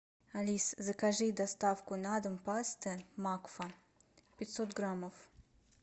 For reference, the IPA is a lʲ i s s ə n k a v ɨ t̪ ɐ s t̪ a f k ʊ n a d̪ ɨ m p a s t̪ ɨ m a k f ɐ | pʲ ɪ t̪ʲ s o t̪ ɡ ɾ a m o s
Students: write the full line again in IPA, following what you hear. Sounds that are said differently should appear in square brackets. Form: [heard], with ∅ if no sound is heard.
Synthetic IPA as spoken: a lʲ i s [z] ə [∅] k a [ʐ] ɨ [d̪] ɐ s t̪ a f k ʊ n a d̪ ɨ m p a s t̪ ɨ m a k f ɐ | pʲ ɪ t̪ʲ s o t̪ ɡ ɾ a m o [f]